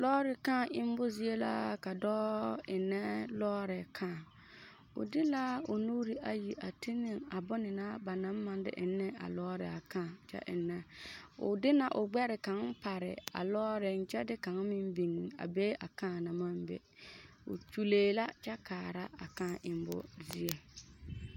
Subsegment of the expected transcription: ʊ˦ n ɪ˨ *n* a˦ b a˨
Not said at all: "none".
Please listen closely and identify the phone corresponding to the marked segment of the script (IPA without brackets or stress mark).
n